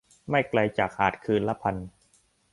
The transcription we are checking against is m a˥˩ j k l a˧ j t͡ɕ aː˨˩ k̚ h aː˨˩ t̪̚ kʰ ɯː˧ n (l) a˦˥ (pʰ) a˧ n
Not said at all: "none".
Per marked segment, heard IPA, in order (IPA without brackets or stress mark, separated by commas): l, pʰ